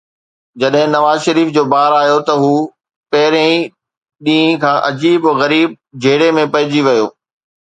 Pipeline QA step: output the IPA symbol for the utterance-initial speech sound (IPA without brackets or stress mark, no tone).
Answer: d͡ʑ